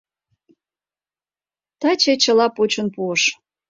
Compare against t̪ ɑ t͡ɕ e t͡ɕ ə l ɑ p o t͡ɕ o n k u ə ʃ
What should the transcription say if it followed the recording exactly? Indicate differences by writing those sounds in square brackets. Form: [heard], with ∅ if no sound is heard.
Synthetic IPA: t̪ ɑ t͡ɕ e t͡ɕ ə l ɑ p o t͡ɕ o n [p] u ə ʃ